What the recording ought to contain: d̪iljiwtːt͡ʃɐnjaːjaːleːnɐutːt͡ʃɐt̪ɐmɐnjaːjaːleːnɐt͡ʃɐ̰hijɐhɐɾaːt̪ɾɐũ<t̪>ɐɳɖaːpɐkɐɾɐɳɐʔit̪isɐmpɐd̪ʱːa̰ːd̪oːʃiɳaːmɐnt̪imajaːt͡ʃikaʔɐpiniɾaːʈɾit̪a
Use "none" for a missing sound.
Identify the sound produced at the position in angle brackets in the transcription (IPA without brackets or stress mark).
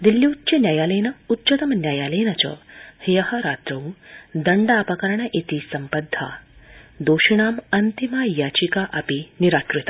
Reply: d̪